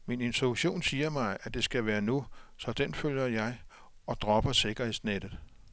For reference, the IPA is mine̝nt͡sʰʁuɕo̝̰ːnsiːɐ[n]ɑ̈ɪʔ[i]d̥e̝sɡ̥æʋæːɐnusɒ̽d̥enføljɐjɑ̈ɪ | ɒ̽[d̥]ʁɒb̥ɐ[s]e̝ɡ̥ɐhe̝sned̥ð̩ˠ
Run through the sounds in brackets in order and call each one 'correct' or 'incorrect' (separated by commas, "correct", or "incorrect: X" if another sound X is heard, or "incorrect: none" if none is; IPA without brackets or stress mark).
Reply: incorrect: m, incorrect: æ, correct, correct